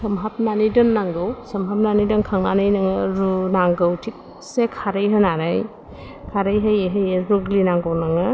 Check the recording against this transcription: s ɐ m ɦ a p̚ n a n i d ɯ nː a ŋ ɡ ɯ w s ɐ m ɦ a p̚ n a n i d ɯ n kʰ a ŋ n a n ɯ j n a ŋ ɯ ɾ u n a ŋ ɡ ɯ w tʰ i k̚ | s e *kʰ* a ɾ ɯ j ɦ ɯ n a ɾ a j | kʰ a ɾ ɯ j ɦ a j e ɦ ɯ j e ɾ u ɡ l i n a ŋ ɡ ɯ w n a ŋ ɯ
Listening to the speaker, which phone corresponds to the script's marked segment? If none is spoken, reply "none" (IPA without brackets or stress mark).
kʰ